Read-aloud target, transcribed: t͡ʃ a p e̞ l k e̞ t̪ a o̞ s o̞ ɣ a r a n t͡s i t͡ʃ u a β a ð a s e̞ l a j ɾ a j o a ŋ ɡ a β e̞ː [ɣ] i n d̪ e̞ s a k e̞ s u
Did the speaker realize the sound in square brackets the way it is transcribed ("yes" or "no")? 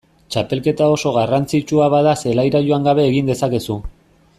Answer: yes